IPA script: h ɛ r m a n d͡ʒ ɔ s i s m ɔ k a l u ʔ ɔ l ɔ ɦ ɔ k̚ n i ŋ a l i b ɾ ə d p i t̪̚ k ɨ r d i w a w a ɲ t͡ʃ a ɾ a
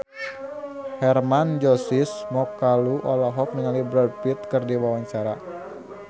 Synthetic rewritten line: h ɛ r m a n d͡ʒ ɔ s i s m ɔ k a l u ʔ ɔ l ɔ ɦ ɔ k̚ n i ŋ a l i b ɾ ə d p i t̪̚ k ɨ r d i w a w a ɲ t͡ʃ a ɾ a

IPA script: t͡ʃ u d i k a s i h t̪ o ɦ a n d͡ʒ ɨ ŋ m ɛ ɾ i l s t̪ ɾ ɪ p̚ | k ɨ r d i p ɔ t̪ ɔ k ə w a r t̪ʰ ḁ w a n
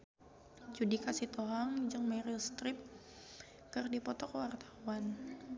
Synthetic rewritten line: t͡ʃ u d i k a s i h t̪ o ɦ a ŋ d͡ʒ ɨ ŋ m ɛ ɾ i l s t̪ ɾ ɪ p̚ | k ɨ r d i p ɔ t̪ ɔ k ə w a r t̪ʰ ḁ w a n

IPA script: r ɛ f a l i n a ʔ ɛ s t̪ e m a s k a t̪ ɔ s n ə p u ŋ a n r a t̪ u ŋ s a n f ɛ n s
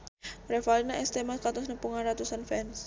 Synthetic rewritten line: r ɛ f a l i n a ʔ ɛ s t̪ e m a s k a t̪ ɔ s n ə p u ŋ a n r a t̪ u s a n f ɛ n s

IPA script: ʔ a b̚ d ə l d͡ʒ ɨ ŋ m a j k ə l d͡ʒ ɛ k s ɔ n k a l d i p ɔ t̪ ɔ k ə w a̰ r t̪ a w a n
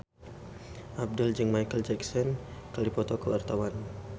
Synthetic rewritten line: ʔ a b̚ d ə l d͡ʒ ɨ ŋ m a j k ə l d͡ʒ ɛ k s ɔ n k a l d i p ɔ t̪ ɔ k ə w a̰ r t̪ a w a n

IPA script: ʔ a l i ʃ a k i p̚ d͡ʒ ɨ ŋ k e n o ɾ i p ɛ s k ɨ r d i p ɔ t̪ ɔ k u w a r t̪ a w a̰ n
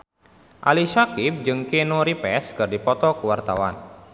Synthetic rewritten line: ʔ a l i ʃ a k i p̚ d͡ʒ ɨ ŋ k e n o ɾ i p ɛ s k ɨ r d i p ɔ t̪ ɔ k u w a r t̪ a w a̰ n

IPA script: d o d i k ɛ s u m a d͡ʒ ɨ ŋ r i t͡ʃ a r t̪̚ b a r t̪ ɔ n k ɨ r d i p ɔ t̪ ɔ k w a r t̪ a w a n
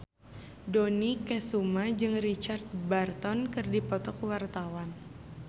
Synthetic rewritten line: d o n i k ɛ s u m a d͡ʒ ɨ ŋ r i t͡ʃ a r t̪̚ b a r t̪ ɔ n k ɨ r d i p ɔ t̪ ɔ k w a r t̪ a w a n

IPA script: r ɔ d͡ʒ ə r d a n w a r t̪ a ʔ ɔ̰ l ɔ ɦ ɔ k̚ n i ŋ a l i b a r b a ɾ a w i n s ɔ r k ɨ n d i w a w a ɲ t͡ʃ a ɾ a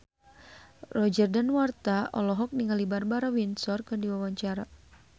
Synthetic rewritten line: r ɔ d͡ʒ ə r d a n w a r t̪ a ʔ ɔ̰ l ɔ ɦ ɔ k̚ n i ŋ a l i b a r b a ɾ a w i n s ɔ r k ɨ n d i w a w a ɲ t͡ʃ a ɾ a

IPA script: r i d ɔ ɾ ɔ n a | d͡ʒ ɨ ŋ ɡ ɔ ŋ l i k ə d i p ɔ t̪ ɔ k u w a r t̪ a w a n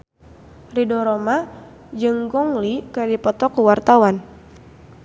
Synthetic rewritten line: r i d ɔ ɾ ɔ m a | d͡ʒ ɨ ŋ ɡ ɔ ŋ l i k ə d i p ɔ t̪ ɔ k u w a r t̪ a w a n

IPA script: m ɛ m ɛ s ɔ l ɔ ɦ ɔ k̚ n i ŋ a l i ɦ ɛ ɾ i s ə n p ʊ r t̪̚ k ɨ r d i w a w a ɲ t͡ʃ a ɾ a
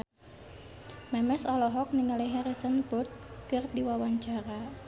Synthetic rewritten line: m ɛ m ɛ s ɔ l ɔ ɦ ɔ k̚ n i ŋ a l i ɦ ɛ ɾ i s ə n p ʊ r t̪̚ k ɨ r d i w a w a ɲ t͡ʃ a ɾ a

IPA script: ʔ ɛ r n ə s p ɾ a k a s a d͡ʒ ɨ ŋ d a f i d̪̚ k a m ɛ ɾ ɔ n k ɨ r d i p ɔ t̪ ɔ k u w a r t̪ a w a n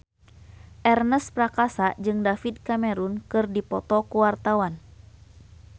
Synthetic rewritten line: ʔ ɛ r n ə s p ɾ a k a s a d͡ʒ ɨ ŋ d a f i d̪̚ k a m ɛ ɾ u n k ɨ r d i p ɔ t̪ ɔ k u w a r t̪ a w a n

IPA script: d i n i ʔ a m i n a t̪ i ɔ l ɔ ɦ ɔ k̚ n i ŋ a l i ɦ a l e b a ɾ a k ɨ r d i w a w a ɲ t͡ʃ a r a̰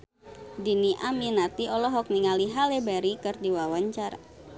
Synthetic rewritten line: d i n i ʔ a m i n a t̪ i ɔ l ɔ ɦ ɔ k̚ n i ŋ a l i ɦ a l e b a ɾ i k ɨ r d i w a w a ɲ t͡ʃ a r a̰

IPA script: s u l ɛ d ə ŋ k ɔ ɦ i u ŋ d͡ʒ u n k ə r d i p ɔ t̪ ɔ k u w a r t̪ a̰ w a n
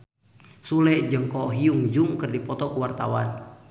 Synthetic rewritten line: s u l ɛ d͡ʒ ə ŋ k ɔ ɦ i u ŋ d͡ʒ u ŋ k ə r d i p ɔ t̪ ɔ k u w a r t̪ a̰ w a n

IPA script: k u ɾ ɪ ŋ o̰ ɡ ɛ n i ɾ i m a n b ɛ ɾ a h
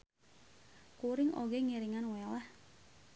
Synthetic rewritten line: k u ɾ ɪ ŋ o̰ ɡ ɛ ŋ i ɾ i ŋ a n w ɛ l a h

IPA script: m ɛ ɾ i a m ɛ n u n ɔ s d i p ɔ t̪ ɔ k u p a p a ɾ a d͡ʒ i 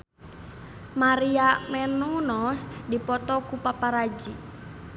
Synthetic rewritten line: m a ɾ i a m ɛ n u n ɔ s d i p ɔ t̪ ɔ k u p a p a ɾ a d͡ʒ i

